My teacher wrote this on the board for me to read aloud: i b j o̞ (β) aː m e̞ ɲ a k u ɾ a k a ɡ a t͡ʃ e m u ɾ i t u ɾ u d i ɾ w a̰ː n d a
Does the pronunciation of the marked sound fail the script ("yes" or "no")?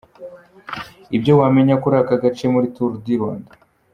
yes